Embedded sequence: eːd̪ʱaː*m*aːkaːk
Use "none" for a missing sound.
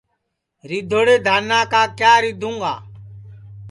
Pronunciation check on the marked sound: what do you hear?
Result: n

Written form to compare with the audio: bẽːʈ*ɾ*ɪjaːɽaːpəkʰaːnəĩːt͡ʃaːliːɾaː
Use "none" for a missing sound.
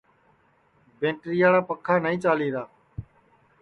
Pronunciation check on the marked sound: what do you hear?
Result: ɾ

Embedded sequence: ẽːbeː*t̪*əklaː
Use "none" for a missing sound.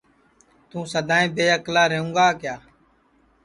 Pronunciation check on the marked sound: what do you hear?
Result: none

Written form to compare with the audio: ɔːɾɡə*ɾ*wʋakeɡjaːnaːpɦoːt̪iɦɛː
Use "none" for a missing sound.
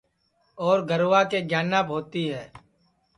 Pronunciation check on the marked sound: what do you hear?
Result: ɾ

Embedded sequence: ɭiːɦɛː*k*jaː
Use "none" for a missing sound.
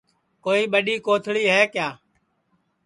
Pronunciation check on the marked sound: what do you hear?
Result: k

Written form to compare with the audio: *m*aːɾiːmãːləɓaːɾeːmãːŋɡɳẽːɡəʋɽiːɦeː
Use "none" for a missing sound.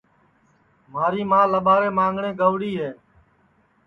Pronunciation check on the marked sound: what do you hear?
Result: m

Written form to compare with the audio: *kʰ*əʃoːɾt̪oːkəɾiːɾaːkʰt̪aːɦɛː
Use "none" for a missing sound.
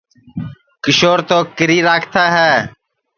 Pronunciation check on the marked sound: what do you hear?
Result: k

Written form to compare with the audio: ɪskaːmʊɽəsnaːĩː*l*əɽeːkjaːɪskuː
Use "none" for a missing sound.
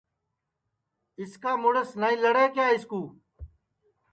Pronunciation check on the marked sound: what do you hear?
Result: l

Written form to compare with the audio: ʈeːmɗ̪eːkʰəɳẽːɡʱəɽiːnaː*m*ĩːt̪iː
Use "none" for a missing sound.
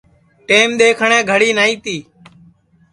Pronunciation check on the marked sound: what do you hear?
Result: none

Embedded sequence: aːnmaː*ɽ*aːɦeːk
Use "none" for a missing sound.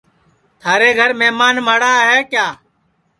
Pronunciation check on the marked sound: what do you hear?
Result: ɽ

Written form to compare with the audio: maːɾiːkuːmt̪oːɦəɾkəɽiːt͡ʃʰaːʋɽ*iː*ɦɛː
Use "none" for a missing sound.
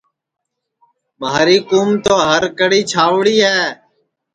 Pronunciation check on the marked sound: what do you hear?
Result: iː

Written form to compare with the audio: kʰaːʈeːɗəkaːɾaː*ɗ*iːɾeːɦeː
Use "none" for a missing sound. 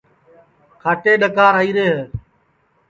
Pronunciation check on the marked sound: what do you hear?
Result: none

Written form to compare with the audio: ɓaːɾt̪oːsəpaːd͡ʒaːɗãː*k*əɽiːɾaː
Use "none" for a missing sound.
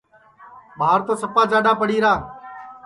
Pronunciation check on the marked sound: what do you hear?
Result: p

